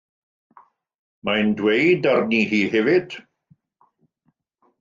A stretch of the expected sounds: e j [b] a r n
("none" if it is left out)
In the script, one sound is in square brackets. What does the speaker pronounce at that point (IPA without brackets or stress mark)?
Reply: d